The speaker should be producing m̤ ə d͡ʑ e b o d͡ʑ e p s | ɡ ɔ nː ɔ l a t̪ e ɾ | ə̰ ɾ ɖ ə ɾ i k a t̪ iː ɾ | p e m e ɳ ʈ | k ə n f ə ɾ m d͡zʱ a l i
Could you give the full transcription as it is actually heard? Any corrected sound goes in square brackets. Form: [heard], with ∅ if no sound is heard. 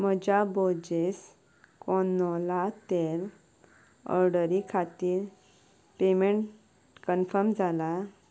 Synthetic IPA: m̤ ə d͡ʑ [a] b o d͡ʑ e [∅] s | [k] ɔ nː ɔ l a t̪ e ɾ | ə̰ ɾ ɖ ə ɾ i [kʰ] a t̪ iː ɾ | p e m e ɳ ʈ | k ə n f ə ɾ m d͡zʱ a l [a]